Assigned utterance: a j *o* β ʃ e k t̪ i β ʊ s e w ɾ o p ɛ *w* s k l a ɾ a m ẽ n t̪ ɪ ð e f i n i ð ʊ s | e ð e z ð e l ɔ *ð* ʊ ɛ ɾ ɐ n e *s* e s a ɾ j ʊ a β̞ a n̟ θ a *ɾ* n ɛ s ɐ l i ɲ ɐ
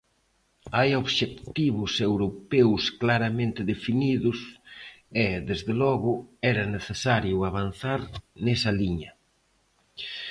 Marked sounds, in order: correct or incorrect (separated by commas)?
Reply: correct, correct, incorrect, incorrect, correct